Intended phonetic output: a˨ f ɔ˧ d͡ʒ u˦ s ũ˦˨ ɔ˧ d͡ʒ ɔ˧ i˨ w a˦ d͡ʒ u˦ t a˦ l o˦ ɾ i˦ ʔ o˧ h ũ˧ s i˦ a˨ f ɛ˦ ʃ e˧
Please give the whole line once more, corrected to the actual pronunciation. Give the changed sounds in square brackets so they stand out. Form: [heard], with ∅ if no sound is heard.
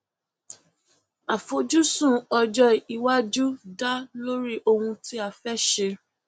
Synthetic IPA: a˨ f [o˧] d͡ʒ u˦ s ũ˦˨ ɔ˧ d͡ʒ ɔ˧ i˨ w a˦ d͡ʒ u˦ [d] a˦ l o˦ ɾ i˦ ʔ o˧ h ũ˧ [t] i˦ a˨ f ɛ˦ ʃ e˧